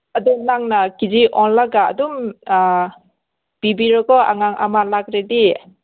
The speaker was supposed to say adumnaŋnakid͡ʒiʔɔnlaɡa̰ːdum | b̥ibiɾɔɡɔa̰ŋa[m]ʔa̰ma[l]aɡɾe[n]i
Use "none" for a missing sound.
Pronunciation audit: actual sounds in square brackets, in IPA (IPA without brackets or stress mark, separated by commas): ŋ, l, d